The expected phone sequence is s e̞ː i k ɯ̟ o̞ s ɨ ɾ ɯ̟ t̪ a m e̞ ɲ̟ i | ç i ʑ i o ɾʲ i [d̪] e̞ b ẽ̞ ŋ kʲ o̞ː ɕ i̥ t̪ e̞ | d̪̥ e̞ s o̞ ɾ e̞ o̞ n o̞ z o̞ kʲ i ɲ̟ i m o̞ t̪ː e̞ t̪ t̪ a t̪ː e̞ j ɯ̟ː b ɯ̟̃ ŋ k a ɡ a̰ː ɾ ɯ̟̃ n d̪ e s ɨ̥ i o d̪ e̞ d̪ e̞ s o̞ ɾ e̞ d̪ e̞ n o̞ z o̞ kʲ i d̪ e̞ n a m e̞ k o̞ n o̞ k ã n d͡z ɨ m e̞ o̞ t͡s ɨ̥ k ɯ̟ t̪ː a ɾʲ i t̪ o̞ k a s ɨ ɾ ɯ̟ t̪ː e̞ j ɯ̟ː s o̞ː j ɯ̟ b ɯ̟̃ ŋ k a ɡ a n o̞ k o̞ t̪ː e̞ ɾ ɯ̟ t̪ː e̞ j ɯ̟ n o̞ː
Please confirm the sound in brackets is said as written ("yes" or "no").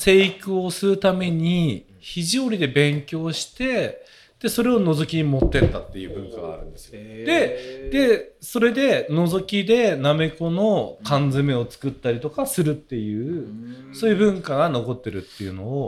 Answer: yes